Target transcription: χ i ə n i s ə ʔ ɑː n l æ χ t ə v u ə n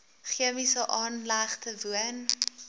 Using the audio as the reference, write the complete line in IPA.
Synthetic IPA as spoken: χ i ə m i s ə ʔ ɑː n l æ χ t ə v u ə n